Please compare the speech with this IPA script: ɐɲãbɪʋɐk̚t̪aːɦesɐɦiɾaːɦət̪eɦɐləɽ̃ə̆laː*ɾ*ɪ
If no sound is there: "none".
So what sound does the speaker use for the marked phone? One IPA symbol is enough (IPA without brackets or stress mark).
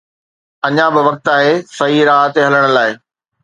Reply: none